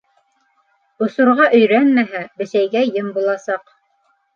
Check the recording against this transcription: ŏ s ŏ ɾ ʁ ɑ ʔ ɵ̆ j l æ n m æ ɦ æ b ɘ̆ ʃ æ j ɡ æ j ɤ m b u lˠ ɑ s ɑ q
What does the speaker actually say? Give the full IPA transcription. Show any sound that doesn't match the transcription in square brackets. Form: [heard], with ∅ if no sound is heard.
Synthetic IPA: ŏ s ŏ ɾ ʁ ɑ ʔ ɵ̆ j [ɾ] æ n m æ ɦ æ b ɘ̆ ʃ æ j ɡ æ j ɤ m b u lˠ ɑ s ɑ q